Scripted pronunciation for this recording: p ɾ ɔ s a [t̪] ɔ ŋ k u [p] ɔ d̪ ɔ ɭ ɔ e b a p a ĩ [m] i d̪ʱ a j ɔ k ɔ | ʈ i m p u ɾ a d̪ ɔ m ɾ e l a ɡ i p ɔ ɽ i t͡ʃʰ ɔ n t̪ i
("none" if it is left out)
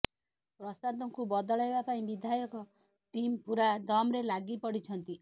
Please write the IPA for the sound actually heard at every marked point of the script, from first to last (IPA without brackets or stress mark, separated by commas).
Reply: d̪, b, b